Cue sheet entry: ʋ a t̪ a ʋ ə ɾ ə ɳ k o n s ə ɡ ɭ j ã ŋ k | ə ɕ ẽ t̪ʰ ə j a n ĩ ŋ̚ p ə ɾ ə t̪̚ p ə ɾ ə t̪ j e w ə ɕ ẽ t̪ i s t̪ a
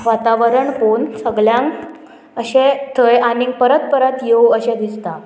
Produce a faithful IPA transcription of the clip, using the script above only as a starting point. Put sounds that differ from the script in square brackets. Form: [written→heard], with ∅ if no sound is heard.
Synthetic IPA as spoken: ʋ a t̪ a ʋ ə ɾ ə ɳ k o n s ə ɡ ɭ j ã ŋ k | ə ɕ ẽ t̪ʰ ə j a n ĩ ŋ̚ p ə ɾ ə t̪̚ p ə ɾ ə t̪ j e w ə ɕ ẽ [t̪→d̪] i s t̪ a